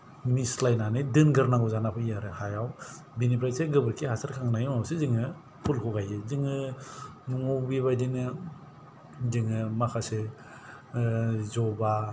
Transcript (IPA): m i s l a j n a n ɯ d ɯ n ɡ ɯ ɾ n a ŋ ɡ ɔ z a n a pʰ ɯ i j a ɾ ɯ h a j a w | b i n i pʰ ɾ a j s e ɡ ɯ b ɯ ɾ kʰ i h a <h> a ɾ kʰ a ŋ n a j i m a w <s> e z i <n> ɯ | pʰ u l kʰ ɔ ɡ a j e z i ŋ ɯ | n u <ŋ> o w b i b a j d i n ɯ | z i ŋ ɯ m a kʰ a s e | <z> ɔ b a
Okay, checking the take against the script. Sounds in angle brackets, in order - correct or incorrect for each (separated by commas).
incorrect, correct, incorrect, correct, correct